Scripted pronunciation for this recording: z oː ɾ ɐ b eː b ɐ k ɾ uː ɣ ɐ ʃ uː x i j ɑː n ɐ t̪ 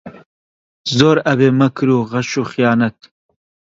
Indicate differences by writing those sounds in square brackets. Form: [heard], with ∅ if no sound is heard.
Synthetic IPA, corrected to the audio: z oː ɾ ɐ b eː [m] ɐ k ɾ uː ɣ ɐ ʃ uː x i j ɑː n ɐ t̪

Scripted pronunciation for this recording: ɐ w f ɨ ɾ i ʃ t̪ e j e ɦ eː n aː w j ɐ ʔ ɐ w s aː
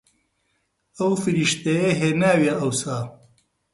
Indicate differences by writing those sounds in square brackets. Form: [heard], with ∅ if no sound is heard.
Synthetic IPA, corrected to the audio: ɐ w f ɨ ɾ i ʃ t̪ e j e ɦ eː n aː w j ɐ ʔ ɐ w s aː

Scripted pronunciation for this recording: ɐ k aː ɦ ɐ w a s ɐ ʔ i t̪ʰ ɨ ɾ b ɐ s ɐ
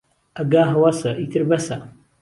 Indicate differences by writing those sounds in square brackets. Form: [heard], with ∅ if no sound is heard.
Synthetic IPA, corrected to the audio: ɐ [ɡ] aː ɦ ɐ w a s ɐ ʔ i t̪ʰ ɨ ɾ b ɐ s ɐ

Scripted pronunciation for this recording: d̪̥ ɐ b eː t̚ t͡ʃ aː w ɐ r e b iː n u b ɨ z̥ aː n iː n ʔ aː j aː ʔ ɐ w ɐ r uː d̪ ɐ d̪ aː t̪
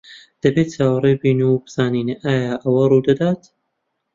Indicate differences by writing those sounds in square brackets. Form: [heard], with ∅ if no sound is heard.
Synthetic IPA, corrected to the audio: d̪̥ ɐ b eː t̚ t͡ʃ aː w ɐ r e b iː n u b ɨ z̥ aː n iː n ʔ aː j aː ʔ ɐ w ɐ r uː d̪ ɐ d̪ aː t̪

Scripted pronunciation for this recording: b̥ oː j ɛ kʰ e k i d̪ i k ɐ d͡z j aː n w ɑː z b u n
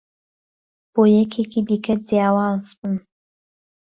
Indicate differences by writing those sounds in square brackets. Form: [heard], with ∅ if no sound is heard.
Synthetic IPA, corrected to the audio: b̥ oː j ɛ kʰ e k i d̪ i k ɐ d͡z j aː [∅] w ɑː z b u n

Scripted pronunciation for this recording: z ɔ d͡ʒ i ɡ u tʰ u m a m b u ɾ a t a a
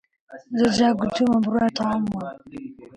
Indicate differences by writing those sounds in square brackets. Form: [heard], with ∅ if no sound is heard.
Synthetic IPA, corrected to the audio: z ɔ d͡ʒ [a] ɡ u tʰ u m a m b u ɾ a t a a

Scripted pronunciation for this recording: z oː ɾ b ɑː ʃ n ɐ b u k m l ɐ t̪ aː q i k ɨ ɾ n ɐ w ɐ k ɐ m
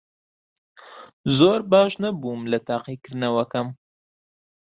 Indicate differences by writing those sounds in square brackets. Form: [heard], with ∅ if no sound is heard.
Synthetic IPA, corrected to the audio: z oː ɾ b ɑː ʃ n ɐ b u [∅] m l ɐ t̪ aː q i k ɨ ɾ n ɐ w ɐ k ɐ m

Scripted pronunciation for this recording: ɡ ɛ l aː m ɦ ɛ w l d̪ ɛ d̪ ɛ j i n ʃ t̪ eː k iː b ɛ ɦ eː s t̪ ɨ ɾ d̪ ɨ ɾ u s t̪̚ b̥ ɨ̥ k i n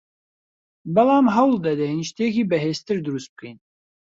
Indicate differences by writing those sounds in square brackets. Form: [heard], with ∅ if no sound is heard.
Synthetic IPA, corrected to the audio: [b] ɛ l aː m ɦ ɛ w l d̪ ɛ d̪ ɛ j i n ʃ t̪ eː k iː b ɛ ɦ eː s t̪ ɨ ɾ d̪ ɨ ɾ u s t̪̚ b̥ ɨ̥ k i n

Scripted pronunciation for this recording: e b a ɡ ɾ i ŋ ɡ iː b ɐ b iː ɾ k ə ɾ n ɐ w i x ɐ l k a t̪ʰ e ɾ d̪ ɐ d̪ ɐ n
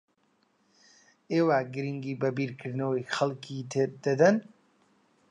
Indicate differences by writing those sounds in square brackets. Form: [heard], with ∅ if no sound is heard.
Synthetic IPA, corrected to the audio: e [w] a ɡ ɾ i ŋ ɡ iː b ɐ b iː ɾ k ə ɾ n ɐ w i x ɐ l k [i] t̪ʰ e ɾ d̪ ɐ d̪ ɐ n

